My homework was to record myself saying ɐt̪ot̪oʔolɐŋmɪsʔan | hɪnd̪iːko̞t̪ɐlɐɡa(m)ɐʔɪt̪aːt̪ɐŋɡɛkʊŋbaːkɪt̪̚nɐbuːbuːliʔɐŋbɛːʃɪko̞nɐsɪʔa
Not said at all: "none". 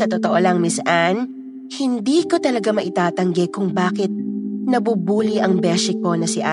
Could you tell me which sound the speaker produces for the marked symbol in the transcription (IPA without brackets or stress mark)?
m